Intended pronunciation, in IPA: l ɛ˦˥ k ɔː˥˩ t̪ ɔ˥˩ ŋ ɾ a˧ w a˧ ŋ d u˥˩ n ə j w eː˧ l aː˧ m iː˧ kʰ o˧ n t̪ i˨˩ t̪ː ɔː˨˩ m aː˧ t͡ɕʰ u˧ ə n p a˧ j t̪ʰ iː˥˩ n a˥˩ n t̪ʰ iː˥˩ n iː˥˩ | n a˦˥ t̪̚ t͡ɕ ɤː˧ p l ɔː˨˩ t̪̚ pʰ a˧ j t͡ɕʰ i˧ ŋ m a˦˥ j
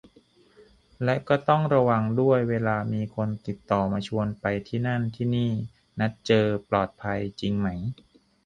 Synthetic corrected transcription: l ɛ˦˥ k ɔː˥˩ t̪ ɔ˥˩ ŋ ɾ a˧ w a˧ ŋ d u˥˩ ə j w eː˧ l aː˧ m iː˧ kʰ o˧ n t̪ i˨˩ t̪ː ɔː˨˩ m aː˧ t͡ɕʰ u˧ ə n p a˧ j t̪ʰ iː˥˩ n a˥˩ n t̪ʰ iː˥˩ n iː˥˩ | n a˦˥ t̪̚ t͡ɕ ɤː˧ p l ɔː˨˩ t̪̚ pʰ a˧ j t͡ɕ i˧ ŋ m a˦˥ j

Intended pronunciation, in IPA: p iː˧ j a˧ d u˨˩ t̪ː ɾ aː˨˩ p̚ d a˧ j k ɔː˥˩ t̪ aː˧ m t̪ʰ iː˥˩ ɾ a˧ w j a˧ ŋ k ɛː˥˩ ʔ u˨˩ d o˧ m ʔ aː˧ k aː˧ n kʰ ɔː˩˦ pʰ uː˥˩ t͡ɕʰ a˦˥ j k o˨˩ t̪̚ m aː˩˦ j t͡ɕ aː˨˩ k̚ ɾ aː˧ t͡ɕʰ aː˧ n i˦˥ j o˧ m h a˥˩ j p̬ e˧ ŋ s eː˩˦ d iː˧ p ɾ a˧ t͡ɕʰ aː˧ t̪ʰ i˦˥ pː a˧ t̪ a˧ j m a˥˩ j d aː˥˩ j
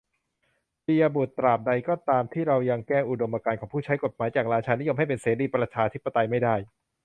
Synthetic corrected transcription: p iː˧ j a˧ b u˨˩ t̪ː ɾ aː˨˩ p̚ d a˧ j k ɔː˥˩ t̪ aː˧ m t̪ʰ iː˥˩ ɾ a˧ w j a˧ ŋ k ɛː˥˩ ʔ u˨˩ d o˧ m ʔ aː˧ k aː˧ n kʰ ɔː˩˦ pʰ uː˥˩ t͡ɕʰ a˦˥ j k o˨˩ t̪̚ m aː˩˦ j t͡ɕ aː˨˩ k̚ ɾ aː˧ t͡ɕʰ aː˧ n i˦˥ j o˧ m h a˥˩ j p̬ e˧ n s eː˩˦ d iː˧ p ɾ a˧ t͡ɕʰ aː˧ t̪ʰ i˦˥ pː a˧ t̪ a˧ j m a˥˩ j d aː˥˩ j

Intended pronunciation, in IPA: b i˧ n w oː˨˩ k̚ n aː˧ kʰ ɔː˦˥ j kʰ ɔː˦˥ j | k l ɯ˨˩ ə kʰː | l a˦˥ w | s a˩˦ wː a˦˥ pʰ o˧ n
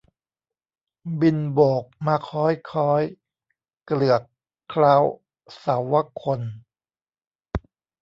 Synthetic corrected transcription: b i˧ n b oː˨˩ k̚ m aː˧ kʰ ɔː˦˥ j kʰ ɔː˦˥ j | k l ɯ˨˩ ə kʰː | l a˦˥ w | s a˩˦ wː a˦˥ kʰ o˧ n

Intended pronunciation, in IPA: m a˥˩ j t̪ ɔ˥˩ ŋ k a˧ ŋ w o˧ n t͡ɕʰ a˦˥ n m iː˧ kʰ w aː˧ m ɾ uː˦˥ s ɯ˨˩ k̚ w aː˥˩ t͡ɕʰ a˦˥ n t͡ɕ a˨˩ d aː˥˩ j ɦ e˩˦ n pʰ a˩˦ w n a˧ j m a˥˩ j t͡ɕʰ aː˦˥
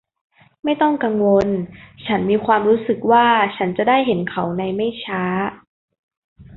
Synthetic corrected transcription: m a˥˩ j t̪ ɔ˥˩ ŋ k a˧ ŋ w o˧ n t͡ɕʰ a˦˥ n m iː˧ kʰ w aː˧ m ɾ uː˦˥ s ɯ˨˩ k̚ w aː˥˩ t͡ɕʰ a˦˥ n t͡ɕ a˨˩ d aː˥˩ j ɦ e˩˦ n kʰ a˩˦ w n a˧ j m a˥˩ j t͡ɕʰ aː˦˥

